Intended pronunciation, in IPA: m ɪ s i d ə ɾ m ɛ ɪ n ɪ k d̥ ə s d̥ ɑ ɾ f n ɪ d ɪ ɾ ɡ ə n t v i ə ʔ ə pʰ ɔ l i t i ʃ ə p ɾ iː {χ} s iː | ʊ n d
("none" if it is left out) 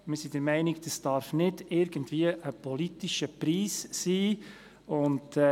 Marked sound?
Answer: s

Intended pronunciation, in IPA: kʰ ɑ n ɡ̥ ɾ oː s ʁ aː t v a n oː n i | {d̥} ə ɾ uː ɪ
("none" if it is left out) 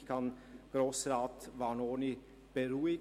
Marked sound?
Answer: b̥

